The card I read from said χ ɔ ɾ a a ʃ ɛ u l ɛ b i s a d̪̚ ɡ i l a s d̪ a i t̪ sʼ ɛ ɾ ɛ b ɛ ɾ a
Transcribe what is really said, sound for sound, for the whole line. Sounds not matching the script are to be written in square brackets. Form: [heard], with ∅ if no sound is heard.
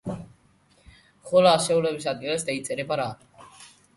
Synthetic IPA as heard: χ ɔ [l] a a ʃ ɛ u l ɛ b i s a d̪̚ ɡ i l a s d̪ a i t̪ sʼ ɛ ɾ ɛ b [a] ɾ a